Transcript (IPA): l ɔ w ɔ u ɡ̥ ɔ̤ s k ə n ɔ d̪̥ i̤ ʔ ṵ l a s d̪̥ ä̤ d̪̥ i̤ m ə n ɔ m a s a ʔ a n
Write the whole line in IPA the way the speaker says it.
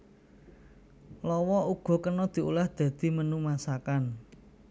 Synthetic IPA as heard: l ɔ w ɔ u ɡ̥ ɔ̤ k ə n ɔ d̪̥ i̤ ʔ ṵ l a h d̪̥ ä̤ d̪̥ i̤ m ə n u m a s a k a n